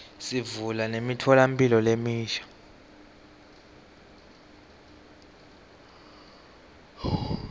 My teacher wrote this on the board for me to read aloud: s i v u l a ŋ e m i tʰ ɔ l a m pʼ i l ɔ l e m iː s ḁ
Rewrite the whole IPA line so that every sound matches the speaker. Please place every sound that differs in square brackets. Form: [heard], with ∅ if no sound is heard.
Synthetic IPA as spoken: s i v u l a [n] e m i tʰ ɔ l a m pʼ i l ɔ l e m iː [ʃ] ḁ